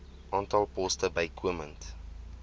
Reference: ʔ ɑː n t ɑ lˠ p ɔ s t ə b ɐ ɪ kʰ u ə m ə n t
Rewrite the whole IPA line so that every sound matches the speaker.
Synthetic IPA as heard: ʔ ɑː n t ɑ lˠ p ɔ s t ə b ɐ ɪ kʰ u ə m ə n t

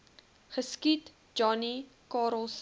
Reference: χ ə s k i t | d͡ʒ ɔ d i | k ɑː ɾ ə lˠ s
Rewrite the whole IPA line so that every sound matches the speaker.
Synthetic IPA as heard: χ ə s k i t | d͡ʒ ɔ n i | k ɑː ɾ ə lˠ s

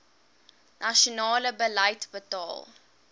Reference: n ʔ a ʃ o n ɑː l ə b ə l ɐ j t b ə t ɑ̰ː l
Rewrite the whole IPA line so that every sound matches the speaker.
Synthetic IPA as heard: n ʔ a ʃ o n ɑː l ə b ə l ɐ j t b ə t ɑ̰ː l

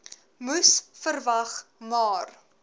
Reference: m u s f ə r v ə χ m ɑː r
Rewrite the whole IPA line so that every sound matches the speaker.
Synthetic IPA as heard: m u s f ə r v ɐ χ m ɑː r

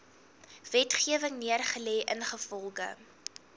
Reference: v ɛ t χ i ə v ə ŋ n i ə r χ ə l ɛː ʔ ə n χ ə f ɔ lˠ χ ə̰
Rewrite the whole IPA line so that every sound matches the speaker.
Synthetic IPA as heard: v ɛ t χ i ə v ə ŋ n i ə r χ ə l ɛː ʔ ə n χ ə f ɔ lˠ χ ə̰

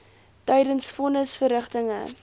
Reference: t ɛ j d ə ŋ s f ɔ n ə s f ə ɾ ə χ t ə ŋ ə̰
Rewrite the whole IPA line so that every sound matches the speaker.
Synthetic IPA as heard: t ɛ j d ə n s f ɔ n ə s f ə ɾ ə χ t ə ŋ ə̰

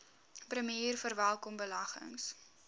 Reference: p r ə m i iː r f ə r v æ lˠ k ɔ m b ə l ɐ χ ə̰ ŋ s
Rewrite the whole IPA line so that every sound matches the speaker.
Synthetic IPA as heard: p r ə m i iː r f ə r v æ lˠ k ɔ m b ə l ɐ χ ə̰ ŋ s

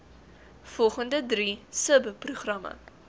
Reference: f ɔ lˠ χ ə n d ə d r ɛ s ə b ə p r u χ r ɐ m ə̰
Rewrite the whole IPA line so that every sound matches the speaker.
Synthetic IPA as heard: f ɔ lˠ χ ə n d ə d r i s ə b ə p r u χ r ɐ m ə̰

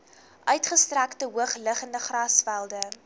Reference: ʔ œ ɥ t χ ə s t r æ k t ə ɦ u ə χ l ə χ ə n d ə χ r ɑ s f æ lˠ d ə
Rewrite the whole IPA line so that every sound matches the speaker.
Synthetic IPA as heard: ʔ œ ɥ t χ ə s t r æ k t ə ɦ u ə χ l ə χ ə n d ə χ r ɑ s f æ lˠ d ə

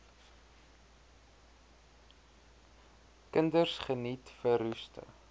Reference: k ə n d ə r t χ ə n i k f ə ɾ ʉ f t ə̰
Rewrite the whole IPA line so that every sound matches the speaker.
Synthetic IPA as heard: k ə n d ə r s χ ə n i t f ə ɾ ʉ s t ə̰

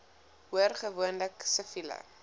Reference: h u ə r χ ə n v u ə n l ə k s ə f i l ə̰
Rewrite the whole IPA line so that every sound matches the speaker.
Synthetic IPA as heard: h u ə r χ ə v u ə n l ə k s ə f i l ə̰

